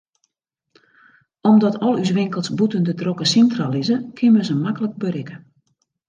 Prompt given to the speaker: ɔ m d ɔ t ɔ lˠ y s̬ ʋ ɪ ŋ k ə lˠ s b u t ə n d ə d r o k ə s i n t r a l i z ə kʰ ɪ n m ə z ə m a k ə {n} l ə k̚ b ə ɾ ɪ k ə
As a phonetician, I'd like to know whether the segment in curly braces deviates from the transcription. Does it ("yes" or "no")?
yes